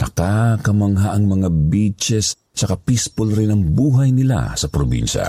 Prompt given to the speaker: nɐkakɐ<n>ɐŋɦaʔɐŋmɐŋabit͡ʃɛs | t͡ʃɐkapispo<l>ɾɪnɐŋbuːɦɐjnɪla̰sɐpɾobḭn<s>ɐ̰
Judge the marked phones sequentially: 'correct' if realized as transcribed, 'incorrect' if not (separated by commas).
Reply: incorrect, correct, incorrect